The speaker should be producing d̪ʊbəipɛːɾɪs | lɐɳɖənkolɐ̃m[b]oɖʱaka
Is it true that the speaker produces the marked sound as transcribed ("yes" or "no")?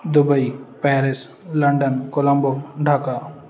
yes